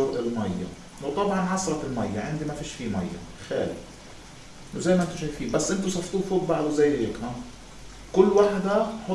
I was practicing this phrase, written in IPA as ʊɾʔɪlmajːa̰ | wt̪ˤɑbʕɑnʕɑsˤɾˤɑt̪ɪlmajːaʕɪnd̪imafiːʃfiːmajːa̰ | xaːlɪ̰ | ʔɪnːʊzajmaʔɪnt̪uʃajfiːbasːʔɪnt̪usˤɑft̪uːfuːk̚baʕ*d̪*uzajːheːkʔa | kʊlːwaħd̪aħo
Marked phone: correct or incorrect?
correct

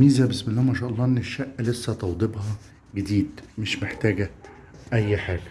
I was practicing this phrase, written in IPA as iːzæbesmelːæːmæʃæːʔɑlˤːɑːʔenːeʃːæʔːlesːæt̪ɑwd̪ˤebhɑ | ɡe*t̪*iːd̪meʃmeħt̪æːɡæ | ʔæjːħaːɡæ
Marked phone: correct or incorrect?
incorrect: d̪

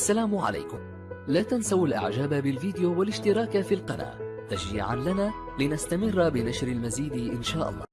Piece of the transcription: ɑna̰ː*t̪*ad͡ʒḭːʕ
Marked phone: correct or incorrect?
correct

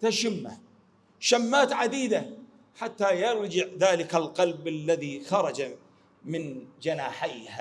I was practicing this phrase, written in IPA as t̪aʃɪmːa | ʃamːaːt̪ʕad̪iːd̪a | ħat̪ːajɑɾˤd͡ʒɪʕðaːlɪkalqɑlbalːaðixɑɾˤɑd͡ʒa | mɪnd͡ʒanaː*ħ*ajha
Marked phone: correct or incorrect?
correct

